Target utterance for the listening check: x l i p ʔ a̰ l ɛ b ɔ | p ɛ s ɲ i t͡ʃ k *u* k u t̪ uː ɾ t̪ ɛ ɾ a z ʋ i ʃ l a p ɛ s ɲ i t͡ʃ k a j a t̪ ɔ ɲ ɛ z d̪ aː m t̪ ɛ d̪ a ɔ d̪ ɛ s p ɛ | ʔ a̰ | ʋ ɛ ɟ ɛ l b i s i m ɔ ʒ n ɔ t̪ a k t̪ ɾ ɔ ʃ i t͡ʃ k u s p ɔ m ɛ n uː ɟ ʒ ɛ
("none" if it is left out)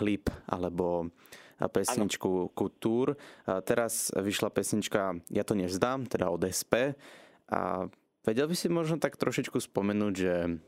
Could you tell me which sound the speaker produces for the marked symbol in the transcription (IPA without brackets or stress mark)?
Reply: u